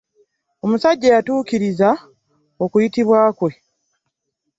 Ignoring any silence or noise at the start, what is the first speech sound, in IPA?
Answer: o̞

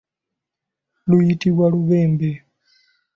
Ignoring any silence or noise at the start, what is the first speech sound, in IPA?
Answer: l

